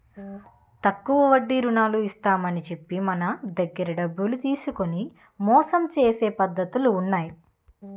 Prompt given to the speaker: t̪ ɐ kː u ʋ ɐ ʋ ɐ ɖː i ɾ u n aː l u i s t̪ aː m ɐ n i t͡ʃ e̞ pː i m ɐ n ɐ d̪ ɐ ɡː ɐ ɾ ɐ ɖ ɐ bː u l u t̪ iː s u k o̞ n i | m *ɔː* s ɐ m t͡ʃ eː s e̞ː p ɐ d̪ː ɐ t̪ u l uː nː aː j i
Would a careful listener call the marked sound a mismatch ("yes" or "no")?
no